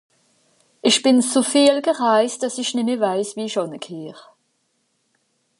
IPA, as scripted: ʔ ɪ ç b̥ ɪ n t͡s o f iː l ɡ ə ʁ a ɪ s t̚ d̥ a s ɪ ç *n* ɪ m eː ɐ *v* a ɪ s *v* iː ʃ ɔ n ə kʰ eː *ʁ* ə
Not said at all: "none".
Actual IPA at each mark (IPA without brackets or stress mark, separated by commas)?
n, v, v, ʁ